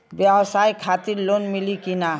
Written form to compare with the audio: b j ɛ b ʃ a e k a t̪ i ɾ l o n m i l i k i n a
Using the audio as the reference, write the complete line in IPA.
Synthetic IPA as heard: b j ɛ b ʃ a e kʰ a t̪ i ɾ l o n m i l i k i n a